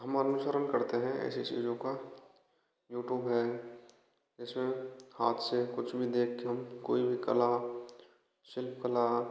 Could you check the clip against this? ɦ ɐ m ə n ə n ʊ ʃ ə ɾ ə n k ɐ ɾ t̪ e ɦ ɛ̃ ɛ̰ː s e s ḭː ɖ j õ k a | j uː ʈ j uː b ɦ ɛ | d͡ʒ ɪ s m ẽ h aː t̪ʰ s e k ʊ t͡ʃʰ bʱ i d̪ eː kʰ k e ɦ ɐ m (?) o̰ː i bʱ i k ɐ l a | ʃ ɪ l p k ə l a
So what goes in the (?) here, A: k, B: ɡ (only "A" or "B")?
A